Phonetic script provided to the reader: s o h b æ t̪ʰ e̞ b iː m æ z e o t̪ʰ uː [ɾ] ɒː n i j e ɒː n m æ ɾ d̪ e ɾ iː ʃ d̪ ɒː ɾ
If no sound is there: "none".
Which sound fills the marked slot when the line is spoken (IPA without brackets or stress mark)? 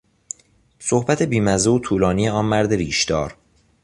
l